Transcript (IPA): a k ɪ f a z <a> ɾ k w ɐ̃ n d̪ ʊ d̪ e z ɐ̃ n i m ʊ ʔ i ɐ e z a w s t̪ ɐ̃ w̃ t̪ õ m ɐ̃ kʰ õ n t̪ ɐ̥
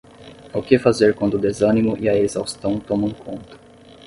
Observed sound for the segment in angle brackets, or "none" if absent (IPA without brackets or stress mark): e